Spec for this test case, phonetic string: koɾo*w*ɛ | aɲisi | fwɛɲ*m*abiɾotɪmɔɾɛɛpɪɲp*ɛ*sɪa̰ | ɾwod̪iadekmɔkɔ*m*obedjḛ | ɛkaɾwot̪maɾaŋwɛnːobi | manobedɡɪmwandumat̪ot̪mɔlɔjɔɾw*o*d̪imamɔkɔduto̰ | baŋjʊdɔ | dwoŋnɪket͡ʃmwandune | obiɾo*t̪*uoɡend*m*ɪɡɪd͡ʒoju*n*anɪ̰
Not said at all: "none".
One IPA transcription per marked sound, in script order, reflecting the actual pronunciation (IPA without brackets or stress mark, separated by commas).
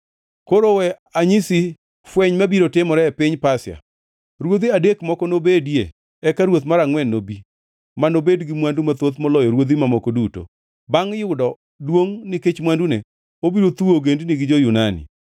w, m, a, n, o, t̪, n, n